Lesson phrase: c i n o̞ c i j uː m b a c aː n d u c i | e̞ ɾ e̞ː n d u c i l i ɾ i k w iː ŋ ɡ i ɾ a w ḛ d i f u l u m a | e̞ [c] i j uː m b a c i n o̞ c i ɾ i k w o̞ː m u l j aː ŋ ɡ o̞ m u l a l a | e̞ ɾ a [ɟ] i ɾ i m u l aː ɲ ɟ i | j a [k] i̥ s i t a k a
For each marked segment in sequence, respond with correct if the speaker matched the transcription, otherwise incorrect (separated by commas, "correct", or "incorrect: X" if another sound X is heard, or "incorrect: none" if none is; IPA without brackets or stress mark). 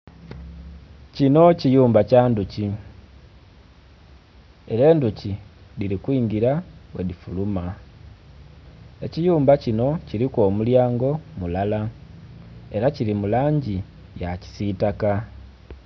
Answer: correct, incorrect: c, incorrect: c